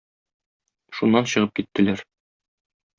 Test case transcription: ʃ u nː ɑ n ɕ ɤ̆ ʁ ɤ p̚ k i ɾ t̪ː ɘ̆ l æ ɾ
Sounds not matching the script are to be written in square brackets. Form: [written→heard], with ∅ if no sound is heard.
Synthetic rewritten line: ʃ u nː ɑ n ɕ ɤ̆ ʁ ɤ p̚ k i [ɾ→∅] t̪ː ɘ̆ l æ ɾ